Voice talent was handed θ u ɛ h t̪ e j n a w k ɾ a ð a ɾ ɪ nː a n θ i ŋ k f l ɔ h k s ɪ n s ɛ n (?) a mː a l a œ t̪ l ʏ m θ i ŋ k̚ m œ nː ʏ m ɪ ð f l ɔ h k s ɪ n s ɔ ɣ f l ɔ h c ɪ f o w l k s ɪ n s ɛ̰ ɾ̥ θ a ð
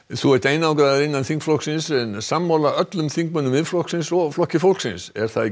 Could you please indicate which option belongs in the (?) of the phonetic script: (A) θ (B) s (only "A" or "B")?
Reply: B